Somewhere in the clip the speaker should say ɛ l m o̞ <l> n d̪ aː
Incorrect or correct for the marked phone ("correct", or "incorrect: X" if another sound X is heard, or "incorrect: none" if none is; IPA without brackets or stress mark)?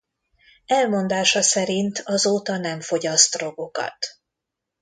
incorrect: none